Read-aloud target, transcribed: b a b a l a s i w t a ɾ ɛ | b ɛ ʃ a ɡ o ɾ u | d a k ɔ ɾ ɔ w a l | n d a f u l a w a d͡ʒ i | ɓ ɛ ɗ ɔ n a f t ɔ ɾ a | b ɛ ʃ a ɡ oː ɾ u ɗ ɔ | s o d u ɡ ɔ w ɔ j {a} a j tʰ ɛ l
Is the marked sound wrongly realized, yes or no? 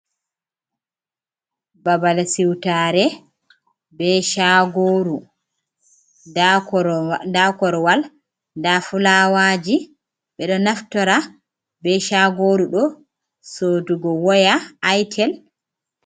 no